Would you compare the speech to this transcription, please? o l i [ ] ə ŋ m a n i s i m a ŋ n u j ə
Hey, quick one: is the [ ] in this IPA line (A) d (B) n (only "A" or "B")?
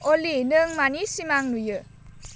B